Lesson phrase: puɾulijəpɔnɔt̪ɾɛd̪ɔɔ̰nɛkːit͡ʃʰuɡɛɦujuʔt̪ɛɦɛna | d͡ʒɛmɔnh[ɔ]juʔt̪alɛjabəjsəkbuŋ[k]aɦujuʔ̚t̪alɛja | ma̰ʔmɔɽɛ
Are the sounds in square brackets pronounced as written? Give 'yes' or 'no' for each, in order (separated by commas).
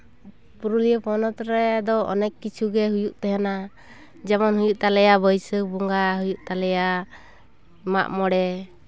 no, no